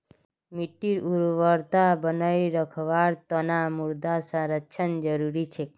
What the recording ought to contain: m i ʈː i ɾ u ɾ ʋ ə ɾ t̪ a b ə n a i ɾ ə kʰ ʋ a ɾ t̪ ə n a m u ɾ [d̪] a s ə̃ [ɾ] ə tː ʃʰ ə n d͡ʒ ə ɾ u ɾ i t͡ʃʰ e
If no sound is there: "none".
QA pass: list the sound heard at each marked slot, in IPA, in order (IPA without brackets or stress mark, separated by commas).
d̪, ɾ